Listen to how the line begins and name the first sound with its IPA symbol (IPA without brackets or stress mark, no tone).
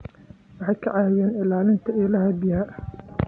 w